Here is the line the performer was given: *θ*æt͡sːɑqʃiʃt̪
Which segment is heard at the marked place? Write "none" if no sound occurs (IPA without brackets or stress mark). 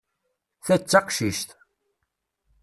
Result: θ